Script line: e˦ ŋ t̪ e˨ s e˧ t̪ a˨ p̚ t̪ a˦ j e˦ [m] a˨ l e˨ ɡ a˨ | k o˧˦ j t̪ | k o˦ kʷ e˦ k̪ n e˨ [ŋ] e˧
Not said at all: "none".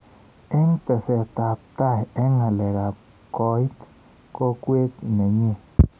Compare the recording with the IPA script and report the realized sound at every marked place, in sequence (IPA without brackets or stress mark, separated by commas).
ŋ, ɲ